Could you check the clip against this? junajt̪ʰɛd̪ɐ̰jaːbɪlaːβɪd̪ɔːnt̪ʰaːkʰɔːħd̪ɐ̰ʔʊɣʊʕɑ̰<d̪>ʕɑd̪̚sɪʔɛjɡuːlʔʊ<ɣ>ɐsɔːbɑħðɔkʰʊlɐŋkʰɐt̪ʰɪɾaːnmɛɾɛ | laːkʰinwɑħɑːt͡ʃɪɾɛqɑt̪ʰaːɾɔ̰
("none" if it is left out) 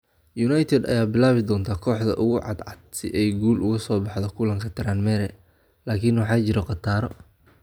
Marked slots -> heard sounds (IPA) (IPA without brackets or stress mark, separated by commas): d̪, ɣ